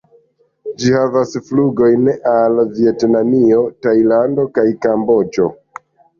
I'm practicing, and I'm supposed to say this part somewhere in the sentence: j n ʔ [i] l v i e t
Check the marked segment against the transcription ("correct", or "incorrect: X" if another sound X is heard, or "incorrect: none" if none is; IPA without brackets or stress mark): incorrect: a